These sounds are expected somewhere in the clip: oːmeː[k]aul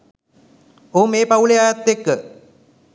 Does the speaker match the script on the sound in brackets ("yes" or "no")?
no